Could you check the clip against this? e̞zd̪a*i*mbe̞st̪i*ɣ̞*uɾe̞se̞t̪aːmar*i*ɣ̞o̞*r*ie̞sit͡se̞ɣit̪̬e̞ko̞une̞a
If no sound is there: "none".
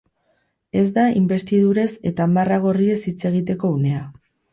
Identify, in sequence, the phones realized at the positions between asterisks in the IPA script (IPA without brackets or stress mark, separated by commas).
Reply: i, ð̞, a, r